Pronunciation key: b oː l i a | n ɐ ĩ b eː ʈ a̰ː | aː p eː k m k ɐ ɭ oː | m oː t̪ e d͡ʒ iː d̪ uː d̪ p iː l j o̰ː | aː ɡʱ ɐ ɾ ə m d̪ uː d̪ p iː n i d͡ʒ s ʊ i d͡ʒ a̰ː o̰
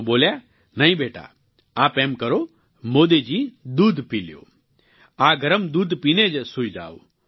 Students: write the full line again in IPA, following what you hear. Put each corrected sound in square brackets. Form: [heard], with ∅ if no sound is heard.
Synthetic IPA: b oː l [j] a | n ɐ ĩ b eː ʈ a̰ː | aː p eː [∅] m k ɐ [ɾ] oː | m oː [d̪] e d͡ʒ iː d̪ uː d̪ p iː l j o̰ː | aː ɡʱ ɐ ɾ ə m d̪ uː d̪ p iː n [e] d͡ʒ s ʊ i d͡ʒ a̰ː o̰